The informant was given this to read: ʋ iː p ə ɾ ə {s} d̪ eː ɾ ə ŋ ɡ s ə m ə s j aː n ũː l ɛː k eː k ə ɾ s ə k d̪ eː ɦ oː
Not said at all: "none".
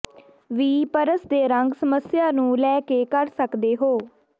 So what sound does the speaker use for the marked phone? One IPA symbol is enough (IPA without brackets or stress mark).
s